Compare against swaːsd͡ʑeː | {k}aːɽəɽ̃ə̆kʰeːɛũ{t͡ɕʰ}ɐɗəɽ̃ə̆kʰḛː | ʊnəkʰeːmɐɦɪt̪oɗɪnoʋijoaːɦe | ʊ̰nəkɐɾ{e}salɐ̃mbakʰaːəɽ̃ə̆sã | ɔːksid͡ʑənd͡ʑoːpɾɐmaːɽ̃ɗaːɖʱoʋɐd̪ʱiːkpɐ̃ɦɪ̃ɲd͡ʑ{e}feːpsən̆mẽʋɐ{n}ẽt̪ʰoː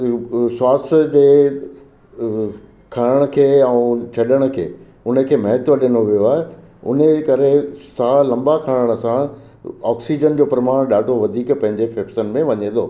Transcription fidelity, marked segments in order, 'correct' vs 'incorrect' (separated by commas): incorrect, correct, correct, correct, incorrect